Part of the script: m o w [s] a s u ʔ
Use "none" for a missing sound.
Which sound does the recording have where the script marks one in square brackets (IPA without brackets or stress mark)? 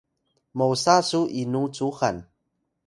s